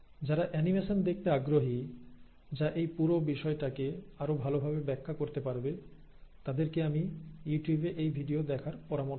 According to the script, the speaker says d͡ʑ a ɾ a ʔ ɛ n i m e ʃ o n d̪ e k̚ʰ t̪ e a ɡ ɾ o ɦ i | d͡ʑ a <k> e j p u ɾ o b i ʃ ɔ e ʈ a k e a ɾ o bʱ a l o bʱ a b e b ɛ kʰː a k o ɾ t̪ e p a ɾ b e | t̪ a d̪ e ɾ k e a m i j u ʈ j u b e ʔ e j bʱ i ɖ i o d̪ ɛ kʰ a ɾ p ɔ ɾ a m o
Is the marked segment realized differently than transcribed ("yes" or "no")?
yes